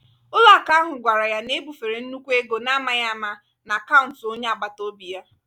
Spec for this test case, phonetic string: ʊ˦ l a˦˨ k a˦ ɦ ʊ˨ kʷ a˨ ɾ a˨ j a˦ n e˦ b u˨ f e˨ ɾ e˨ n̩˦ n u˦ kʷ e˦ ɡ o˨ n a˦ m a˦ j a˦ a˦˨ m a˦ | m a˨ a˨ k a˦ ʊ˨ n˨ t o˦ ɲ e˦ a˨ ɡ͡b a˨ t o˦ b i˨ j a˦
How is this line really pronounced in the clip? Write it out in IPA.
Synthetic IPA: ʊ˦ l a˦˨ k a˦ ɦ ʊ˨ ɡʷ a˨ ɾ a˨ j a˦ n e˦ b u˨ f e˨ ɾ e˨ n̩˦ n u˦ kʷ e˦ ɡ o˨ n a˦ m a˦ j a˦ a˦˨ m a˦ | n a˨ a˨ k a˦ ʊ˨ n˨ t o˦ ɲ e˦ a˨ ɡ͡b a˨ t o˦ b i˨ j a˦